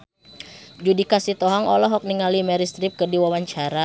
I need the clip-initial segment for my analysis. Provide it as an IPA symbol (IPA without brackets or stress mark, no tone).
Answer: d͡ʒ